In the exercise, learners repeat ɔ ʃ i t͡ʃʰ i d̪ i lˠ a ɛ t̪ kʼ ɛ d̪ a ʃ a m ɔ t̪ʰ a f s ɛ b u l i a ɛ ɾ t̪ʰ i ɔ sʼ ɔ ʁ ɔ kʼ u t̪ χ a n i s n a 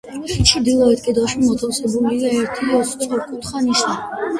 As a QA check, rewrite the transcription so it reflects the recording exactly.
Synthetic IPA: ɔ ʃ i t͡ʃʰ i d̪ i lˠ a ɛ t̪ kʼ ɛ d̪ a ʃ i m ɔ t̪ʰ a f s ɛ b u l i a ɛ ɾ t̪ʰ i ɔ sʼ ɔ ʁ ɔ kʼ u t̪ χ a n i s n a